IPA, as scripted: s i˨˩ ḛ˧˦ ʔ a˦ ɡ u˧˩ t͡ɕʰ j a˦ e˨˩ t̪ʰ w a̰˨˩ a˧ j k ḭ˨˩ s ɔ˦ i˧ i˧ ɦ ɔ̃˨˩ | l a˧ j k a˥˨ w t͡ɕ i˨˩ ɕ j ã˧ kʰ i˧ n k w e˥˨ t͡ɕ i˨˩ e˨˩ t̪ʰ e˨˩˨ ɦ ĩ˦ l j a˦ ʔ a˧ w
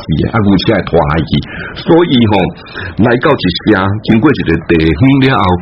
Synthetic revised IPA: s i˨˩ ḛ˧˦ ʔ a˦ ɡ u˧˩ t͡ɕʰ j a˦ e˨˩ t̪ʰ w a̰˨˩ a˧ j k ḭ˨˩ s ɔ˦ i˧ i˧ ɦ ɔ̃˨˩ | l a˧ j k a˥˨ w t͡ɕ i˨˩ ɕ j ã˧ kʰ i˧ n k w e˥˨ t͡ɕ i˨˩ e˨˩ t̪ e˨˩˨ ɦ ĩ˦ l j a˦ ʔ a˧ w